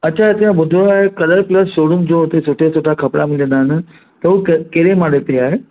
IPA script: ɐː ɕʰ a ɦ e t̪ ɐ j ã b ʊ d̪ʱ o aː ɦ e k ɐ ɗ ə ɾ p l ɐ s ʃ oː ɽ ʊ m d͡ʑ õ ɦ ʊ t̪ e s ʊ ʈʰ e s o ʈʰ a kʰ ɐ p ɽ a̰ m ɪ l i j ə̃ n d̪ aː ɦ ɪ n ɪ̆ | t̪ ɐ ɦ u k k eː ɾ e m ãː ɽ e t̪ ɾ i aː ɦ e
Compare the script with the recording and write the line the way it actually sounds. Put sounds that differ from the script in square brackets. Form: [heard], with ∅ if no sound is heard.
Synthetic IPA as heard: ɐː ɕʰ a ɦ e t̪ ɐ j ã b ʊ d̪ʱ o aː ɦ e k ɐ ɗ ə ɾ p l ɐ s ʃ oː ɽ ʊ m d͡ʑ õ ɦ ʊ t̪ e s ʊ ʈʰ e s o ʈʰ a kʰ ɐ p ɽ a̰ m ɪ l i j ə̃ n d̪ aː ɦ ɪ n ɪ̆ | t̪ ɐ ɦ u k k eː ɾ e m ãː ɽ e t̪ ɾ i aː ɦ e

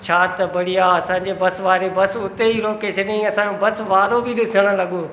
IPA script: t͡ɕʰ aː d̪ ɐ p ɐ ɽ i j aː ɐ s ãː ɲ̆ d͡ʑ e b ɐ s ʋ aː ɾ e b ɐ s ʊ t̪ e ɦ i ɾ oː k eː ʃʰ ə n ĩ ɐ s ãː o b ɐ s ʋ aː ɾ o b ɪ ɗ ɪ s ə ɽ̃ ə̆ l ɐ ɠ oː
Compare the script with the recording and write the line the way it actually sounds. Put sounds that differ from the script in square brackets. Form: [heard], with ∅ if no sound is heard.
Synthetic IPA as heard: t͡ɕʰ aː [t̪] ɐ [b] ɐ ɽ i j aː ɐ s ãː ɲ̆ d͡ʑ e b ɐ s ʋ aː ɾ e b ɐ s ʊ t̪ e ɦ i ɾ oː k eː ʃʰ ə n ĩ ɐ s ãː o b ɐ s ʋ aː ɾ o b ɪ ɗ ɪ s ə ɽ̃ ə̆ l ɐ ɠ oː

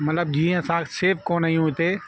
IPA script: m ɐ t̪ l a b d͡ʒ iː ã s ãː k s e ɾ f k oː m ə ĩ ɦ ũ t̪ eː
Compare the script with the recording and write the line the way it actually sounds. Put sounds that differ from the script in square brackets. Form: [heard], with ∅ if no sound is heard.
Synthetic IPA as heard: m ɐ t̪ l [ə] b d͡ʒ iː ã s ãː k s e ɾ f k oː [n] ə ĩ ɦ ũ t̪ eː

